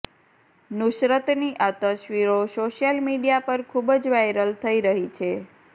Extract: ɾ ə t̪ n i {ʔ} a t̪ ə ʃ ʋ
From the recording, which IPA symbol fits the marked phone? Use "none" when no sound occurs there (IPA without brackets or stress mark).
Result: ʔ